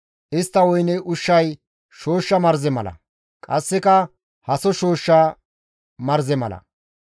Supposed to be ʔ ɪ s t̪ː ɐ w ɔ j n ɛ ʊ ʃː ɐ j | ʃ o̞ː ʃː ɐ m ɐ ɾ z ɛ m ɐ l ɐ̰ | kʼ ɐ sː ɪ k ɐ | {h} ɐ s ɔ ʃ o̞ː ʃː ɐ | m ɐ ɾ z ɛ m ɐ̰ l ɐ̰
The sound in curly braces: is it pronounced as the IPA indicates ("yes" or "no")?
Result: yes